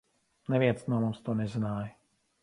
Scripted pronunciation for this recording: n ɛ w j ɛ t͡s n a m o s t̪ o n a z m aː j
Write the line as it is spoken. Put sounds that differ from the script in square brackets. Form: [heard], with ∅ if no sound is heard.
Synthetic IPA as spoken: n ɛ [v] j ɛ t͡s n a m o s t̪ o n [ɛ] z [n] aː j